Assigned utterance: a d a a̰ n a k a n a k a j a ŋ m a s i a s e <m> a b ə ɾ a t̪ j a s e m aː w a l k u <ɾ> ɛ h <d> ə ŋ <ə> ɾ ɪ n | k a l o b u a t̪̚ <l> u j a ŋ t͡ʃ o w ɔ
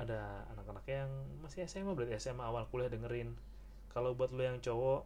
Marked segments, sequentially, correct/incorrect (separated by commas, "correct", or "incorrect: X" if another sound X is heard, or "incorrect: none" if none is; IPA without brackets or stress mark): correct, incorrect: l, correct, correct, correct